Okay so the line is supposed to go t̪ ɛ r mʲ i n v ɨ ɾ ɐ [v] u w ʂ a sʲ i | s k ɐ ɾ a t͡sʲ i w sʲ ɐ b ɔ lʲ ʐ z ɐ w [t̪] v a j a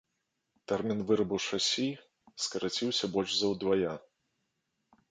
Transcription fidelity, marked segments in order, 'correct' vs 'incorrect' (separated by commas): incorrect, incorrect